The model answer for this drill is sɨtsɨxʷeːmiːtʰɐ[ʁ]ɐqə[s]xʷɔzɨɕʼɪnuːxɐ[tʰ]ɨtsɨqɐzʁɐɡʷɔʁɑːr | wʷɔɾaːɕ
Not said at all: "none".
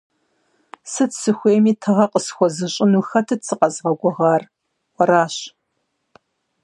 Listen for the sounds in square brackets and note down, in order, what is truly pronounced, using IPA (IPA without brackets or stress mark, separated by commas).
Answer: ʁ, s, tʰ